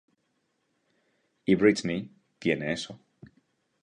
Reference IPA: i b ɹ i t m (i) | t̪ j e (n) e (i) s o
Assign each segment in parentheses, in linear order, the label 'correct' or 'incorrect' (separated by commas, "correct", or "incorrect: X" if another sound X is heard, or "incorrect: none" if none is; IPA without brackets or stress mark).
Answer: correct, correct, incorrect: e